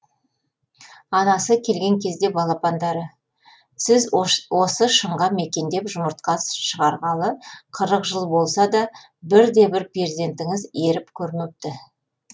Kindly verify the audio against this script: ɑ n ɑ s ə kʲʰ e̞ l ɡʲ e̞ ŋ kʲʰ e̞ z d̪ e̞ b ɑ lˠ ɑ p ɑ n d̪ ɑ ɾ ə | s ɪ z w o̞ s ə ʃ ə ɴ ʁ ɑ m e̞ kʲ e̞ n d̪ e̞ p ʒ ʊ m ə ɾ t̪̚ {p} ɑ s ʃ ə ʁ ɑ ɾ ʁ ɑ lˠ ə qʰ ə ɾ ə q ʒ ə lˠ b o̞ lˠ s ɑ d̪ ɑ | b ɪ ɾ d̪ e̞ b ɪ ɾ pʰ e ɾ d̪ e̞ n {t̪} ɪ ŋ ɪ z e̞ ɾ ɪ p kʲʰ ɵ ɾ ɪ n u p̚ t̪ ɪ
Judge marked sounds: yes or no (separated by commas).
no, yes